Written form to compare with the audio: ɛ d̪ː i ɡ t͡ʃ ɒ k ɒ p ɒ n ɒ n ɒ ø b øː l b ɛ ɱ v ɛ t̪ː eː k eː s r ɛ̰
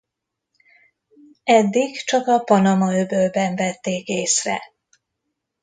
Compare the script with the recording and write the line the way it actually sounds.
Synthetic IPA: ɛ d̪ː i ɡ t͡ʃ ɒ k ɒ p ɒ n ɒ m ɒ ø b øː l b ɛ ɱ v ɛ t̪ː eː k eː s r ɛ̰